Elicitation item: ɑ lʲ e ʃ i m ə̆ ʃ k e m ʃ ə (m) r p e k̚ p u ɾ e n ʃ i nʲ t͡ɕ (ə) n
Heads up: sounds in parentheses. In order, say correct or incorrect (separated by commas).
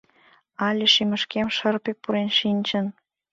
incorrect, correct